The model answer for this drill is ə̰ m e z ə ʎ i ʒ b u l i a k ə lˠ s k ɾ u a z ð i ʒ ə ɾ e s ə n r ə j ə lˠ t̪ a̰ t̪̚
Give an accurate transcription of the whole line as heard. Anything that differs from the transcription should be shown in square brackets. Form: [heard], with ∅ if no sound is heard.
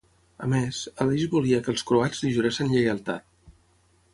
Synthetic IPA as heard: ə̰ m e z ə [l] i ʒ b u l i [ə] k ə lˠ s k ɾ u a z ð i ʒ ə ɾ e s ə n [ʎ] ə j ə lˠ t̪ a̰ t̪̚